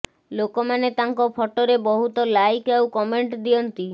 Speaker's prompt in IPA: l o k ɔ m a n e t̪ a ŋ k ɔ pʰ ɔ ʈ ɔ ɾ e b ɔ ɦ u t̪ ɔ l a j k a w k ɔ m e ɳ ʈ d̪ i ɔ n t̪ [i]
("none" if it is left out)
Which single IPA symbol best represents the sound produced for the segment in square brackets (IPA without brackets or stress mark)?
i